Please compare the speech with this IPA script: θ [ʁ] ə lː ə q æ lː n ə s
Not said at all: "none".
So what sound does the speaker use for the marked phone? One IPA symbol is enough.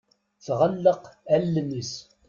ʁ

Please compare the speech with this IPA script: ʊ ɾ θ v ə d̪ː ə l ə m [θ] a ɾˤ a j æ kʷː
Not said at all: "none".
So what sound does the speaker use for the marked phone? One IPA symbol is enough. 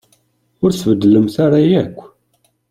θ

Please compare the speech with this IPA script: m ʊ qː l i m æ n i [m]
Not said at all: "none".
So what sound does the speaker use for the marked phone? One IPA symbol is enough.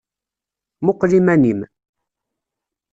m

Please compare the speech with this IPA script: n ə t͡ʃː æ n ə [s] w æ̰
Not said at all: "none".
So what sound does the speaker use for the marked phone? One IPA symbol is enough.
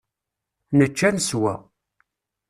s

